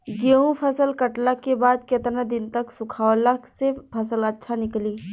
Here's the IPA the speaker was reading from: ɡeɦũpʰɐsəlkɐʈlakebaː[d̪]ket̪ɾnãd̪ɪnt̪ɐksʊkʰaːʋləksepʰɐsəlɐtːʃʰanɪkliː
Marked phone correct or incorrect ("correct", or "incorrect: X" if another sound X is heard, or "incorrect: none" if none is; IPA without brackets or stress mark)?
correct